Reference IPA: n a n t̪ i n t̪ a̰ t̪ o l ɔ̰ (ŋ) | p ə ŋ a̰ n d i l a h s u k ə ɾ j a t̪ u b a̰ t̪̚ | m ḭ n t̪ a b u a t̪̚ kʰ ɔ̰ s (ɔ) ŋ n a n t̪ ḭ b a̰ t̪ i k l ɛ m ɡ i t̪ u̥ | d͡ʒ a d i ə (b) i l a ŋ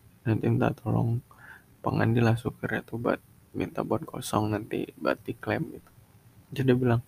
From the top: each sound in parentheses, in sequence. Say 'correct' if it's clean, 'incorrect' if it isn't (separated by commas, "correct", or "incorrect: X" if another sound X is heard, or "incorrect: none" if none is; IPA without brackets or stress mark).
correct, correct, correct